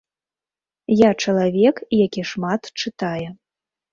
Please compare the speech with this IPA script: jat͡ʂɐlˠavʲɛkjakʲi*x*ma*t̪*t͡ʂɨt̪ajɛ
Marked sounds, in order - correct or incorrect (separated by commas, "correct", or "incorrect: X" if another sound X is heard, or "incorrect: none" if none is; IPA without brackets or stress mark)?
incorrect: ʂ, correct